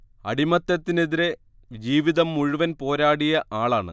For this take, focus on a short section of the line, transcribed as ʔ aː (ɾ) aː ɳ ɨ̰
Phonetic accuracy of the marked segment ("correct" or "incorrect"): incorrect